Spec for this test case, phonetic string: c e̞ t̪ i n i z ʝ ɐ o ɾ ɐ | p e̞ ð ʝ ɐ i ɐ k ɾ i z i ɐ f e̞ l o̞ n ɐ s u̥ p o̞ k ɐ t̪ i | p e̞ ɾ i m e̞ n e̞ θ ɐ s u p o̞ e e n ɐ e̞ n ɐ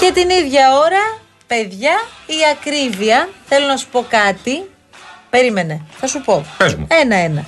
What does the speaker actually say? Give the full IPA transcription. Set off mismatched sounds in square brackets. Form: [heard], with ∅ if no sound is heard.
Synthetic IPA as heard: c e̞ t̪ i n i [ð] ʝ ɐ o ɾ ɐ | p e̞ ð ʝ ɐ i ɐ k ɾ i [v] i ɐ [θ] e̞ l o̞ n ɐ s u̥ p o̞ k ɐ t̪ i | p e̞ ɾ i m e̞ n e̞ θ ɐ s u p o̞ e e n ɐ e̞ n ɐ